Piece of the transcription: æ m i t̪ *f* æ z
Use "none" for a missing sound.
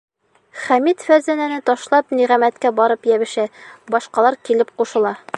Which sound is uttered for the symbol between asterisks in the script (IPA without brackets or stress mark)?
f